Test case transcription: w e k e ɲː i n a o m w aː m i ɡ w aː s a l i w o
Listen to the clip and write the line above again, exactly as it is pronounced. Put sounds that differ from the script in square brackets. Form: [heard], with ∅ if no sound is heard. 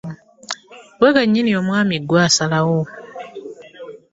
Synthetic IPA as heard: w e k [a] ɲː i n [i] o m w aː m i ɡ w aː s a l [a] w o